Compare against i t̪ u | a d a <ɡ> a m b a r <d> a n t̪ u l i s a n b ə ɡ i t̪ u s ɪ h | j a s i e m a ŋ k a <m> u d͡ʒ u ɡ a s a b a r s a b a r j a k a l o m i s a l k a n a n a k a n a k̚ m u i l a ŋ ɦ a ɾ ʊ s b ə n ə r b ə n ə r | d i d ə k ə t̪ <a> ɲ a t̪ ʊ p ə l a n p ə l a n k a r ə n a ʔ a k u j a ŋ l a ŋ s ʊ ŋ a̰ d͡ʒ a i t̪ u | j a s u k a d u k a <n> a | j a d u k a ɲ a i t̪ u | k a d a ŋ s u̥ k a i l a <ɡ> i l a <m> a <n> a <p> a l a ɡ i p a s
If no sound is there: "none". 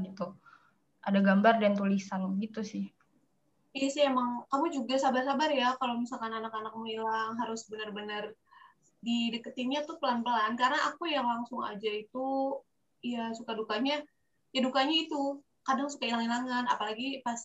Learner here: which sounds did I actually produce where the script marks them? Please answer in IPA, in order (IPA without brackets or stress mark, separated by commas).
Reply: ɡ, d, m, i, ɲ, ŋ, ŋ, n, p